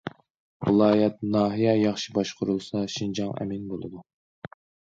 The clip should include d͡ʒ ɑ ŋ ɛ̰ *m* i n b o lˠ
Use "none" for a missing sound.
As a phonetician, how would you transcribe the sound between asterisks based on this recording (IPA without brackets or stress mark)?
m